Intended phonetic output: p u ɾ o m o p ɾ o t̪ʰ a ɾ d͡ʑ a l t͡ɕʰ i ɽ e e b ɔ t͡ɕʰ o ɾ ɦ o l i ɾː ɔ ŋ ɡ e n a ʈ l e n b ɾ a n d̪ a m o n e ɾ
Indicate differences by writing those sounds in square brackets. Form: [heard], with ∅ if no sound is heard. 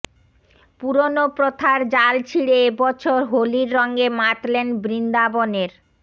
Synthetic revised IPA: p u ɾ o [n] o p ɾ o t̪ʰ a ɾ d͡ʑ a l t͡ɕʰ i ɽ e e b ɔ t͡ɕʰ o ɾ ɦ o l i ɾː ɔ ŋ ɡ e [m] a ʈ l e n b ɾ [i] n d̪ a [b] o n e ɾ

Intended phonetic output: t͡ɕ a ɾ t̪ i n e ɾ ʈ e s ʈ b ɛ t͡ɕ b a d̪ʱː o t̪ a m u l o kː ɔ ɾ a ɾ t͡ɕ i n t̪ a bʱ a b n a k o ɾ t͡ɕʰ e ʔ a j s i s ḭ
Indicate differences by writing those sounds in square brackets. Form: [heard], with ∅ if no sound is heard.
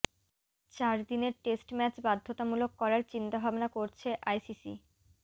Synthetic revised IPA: t͡ɕ a ɾ [d̪] i n e ɾ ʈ e s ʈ [m] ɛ t͡ɕ b a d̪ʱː o t̪ a m u l o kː ɔ ɾ a ɾ t͡ɕ i n t̪ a bʱ a b n a k o ɾ t͡ɕʰ e ʔ a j s i s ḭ

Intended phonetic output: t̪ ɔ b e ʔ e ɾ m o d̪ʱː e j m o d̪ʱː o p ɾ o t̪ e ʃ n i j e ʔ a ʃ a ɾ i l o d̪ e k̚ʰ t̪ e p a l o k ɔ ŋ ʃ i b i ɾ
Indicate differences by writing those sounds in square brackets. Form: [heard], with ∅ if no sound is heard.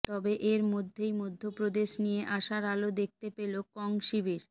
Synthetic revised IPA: t̪ ɔ b e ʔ e ɾ m o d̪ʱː e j m o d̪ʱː o p ɾ o [d̪] e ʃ n i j e ʔ a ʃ a ɾ [a] l o d̪ e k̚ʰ t̪ e p [e] l o k ɔ ŋ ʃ i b i ɾ

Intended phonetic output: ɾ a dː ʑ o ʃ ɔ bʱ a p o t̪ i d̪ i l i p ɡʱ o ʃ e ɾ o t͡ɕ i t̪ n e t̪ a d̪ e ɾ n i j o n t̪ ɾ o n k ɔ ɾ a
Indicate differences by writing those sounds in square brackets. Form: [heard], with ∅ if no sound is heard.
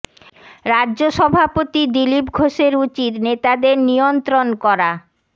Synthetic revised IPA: ɾ a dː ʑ o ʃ ɔ bʱ a p o t̪ i d̪ i l i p ɡʱ o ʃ e ɾ [u] t͡ɕ i t̪ n e t̪ a d̪ e ɾ n i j o n t̪ ɾ o n k ɔ ɾ a

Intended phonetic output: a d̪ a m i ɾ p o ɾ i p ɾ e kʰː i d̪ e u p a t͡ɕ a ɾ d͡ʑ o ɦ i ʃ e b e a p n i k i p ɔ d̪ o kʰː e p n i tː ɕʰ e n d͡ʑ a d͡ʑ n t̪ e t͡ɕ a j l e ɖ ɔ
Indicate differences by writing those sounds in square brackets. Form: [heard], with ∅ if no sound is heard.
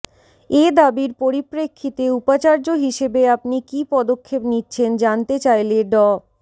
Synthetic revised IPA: [e] d̪ a [b] i ɾ p o ɾ i p ɾ e kʰː i [t̪] e u p a t͡ɕ a ɾ d͡ʑ o ɦ i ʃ e b e a p n i k i p ɔ d̪ o kʰː e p n i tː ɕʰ e n d͡ʑ a [∅] n t̪ e t͡ɕ a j l e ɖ ɔ

